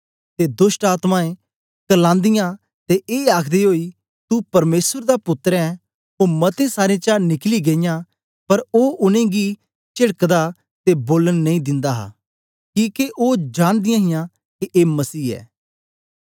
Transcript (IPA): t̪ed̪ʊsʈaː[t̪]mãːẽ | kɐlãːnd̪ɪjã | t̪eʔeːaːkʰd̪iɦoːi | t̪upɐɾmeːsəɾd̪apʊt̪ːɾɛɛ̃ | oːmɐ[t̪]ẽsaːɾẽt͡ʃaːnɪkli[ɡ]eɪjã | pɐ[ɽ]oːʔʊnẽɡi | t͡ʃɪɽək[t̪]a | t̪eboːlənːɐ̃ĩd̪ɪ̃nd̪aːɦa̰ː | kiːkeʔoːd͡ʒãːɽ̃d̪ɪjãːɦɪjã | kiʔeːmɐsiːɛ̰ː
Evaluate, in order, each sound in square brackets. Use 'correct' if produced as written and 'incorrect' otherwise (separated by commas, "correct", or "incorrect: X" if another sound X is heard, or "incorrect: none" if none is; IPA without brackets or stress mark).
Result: correct, correct, correct, incorrect: ɾ, incorrect: d̪